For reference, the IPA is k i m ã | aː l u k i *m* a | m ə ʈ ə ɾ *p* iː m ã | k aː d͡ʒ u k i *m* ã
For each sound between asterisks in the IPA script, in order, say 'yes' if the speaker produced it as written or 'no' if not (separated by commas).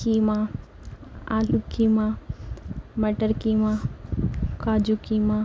yes, no, yes